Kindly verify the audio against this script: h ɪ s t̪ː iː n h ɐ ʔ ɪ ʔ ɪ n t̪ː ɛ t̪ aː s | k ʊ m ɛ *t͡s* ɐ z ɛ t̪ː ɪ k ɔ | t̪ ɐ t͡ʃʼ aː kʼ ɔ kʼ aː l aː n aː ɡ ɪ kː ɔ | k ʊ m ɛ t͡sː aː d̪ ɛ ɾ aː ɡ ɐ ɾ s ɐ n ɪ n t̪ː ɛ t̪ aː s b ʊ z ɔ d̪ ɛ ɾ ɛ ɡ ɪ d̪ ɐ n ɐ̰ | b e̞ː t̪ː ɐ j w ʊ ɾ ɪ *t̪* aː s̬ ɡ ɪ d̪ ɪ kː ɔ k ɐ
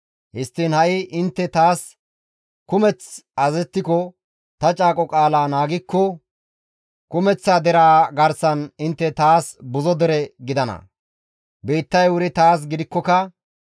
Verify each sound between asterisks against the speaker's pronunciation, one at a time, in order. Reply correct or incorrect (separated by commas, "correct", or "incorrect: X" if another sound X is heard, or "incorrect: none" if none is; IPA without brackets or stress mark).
correct, correct